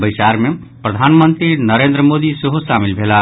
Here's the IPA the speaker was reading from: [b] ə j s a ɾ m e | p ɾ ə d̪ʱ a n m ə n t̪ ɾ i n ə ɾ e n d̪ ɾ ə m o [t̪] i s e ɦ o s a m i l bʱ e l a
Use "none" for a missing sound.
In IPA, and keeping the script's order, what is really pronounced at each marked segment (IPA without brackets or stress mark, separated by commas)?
b, d̪